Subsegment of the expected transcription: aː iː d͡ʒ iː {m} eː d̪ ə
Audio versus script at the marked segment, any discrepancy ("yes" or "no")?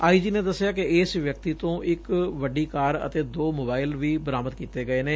yes